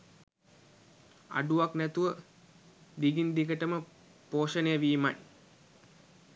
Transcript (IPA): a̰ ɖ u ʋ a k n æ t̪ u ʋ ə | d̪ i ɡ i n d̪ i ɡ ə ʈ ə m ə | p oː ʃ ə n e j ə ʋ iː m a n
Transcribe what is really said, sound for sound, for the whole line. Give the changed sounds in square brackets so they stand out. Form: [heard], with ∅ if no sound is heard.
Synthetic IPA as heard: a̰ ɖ u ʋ a k n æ t̪ u ʋ ə | d̪ i ɡ i n d̪ i ɡ ə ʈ ə m ə | p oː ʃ ə n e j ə ʋ iː m a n